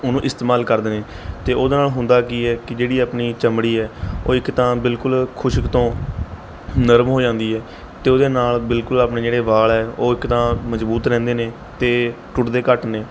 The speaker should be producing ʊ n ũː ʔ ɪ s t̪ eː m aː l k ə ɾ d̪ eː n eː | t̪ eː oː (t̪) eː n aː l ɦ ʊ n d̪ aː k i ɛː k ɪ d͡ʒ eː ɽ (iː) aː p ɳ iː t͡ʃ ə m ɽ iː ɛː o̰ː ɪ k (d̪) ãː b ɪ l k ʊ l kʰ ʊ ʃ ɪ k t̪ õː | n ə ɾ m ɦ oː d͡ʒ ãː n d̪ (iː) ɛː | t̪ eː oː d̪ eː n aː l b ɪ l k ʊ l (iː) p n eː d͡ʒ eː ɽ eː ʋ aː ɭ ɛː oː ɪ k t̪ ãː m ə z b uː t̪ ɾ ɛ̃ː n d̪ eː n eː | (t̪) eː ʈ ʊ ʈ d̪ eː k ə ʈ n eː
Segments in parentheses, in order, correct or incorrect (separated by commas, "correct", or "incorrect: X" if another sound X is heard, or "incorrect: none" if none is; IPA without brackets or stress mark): incorrect: d̪, correct, incorrect: t̪, correct, incorrect: aː, correct